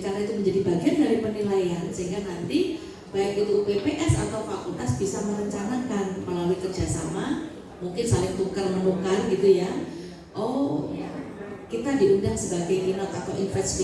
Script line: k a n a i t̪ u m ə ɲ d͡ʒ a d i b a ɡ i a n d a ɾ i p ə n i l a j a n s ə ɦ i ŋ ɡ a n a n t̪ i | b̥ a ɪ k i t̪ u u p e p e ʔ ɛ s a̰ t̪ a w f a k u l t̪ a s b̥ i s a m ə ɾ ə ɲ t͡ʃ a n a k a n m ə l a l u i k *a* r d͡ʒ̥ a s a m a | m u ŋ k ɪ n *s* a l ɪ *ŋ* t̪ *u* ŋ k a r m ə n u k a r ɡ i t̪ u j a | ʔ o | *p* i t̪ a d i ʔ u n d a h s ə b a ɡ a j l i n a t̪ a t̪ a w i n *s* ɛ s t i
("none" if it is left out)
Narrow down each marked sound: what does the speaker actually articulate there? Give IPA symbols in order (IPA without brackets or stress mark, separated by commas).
ə, s, ŋ, u, k, f